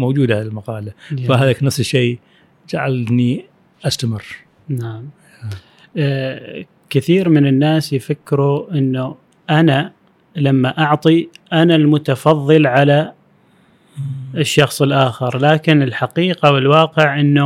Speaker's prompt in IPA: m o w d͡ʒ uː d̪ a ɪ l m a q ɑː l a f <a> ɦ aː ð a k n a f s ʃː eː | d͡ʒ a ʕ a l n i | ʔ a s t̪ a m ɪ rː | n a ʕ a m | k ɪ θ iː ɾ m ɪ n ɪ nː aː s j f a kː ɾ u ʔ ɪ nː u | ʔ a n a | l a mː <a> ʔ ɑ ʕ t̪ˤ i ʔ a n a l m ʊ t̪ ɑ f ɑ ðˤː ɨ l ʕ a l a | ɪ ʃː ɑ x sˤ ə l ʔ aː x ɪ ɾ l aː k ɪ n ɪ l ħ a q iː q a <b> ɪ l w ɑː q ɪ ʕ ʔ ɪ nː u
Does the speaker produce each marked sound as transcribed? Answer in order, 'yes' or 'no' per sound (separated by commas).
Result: yes, yes, no